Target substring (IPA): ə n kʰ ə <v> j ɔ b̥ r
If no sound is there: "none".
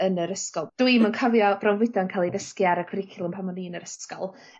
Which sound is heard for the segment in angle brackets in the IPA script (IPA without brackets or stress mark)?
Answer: v